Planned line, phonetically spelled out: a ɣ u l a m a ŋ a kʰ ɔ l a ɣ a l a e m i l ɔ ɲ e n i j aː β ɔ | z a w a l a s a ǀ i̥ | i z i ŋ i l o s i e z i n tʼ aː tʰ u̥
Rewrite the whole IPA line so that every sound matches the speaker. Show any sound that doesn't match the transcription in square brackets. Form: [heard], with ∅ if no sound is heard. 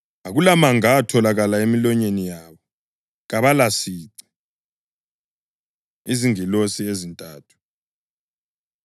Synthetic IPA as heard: a ɣ u l a m a ŋ a [tʰ] ɔ l a ɣ a l a e m i l ɔ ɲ e n i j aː β ɔ | [ɣ] a [β] a l a s [i] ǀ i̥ | i z i ŋ i l o s i e z i n tʼ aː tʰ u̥